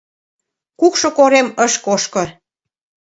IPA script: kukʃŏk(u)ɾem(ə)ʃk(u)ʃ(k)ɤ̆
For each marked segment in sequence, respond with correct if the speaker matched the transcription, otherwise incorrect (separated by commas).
incorrect, correct, incorrect, correct